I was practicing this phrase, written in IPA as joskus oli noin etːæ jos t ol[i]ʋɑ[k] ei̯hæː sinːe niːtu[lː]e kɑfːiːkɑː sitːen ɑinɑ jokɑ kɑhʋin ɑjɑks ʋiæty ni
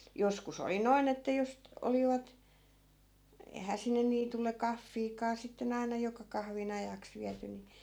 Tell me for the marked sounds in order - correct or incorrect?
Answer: correct, incorrect, correct

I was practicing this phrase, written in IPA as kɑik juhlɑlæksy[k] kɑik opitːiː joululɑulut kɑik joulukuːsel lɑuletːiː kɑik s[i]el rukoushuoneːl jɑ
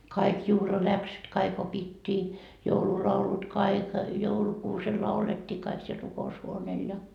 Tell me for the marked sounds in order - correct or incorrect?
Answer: incorrect, correct

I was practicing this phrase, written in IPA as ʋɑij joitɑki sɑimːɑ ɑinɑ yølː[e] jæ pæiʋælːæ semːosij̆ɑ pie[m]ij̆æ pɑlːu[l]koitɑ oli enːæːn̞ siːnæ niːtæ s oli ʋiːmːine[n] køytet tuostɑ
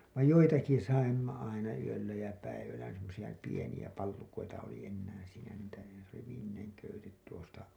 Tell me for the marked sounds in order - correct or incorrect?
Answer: incorrect, incorrect, incorrect, incorrect

